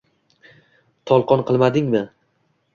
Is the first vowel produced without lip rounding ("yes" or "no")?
no